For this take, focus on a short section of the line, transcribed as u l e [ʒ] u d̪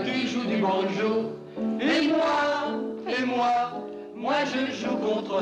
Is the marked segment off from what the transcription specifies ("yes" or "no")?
no